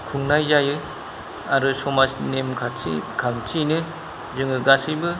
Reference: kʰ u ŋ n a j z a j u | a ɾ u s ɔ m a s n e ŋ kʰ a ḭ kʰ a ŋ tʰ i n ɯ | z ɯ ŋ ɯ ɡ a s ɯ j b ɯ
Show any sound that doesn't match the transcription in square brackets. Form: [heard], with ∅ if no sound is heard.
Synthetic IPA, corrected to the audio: kʰ u ŋ n a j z a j [ɯ] | a ɾ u s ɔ m a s n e [m] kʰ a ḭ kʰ a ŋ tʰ i n ɯ | z ɯ ŋ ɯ ɡ a s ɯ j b ɯ